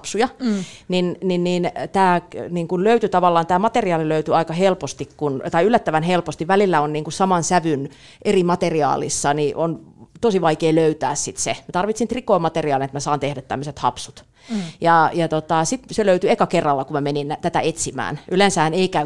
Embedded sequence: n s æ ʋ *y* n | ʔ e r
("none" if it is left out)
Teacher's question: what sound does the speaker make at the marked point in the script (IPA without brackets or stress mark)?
y